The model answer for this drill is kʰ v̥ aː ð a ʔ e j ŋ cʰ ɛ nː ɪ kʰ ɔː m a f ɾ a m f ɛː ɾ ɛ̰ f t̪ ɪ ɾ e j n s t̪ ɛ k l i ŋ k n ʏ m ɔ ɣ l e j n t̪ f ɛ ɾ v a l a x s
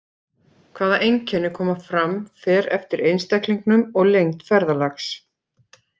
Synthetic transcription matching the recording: kʰ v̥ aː ð a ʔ e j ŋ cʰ ɛ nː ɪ kʰ ɔː m a f ɾ a m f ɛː ɾ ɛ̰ f t̪ ɪ ɾ e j n s t̪ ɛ k l i ŋ k n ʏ m ɔ ɣ l e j ŋ t̪ f ɛ ɾ ð a l a x s